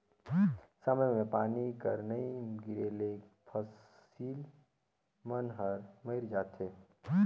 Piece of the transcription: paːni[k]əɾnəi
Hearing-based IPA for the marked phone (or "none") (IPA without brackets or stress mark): k